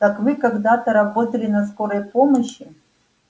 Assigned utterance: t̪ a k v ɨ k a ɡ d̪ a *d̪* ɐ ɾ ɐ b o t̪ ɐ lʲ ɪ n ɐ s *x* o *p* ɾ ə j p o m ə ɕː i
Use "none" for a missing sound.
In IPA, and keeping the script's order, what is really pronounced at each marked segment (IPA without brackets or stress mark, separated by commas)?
t̪, k, none